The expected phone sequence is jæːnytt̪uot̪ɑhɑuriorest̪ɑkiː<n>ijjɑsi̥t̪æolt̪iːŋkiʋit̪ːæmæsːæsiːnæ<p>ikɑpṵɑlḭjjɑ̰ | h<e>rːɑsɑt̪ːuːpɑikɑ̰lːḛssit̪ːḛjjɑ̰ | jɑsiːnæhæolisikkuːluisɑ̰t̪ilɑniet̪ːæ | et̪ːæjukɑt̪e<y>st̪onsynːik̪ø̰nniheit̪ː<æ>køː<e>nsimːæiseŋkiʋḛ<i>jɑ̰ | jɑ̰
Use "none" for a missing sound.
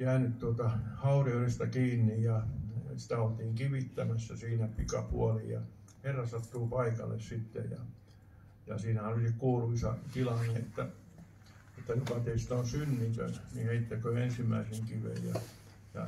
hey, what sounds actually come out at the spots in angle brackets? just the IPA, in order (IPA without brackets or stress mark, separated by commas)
nː, p, e, i, æ, e, j